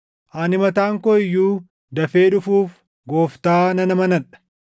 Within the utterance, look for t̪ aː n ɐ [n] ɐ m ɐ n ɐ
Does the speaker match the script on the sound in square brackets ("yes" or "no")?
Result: yes